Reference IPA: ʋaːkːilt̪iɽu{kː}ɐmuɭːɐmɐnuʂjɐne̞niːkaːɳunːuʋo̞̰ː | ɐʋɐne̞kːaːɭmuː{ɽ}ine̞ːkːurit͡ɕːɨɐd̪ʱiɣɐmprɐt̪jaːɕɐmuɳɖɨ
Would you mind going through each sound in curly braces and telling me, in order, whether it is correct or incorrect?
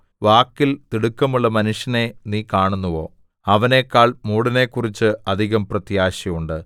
correct, correct

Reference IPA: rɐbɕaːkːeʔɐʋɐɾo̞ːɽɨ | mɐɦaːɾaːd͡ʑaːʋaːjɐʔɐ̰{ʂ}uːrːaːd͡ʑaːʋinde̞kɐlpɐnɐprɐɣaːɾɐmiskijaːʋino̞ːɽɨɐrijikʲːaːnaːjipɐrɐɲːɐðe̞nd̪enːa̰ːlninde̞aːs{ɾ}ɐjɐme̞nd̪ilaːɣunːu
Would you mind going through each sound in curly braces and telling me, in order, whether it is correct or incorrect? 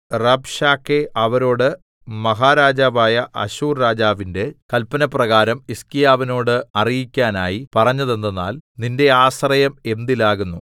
incorrect: ɕ, incorrect: r

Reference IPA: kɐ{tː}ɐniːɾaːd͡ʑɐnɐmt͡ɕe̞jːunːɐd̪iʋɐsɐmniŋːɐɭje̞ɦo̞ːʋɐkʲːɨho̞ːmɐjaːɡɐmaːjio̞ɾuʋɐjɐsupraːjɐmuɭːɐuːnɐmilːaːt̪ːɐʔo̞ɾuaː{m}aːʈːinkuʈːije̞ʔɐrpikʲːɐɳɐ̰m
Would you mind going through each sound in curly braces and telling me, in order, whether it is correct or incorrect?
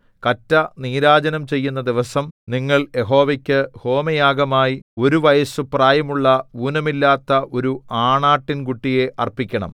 correct, incorrect: ɳ

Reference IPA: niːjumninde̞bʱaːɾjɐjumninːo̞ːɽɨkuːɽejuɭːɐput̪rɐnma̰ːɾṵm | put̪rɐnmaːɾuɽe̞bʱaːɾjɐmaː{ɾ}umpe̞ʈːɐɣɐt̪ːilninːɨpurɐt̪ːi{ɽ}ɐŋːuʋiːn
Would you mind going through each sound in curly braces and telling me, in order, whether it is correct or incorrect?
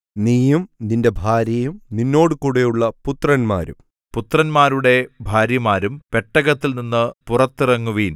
correct, incorrect: r

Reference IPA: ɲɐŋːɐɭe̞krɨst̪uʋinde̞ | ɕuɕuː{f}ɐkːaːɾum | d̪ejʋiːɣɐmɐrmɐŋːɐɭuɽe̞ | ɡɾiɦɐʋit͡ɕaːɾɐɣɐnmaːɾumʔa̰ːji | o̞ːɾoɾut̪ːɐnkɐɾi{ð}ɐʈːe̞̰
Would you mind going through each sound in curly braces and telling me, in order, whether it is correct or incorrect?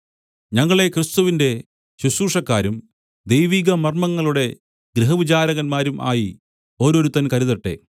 incorrect: ʂ, correct

